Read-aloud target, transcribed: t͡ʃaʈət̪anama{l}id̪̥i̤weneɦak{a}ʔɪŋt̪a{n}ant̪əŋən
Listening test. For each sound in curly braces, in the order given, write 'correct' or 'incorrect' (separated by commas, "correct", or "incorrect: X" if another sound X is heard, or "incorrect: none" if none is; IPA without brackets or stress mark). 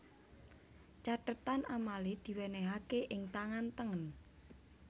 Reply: correct, incorrect: e, incorrect: ŋ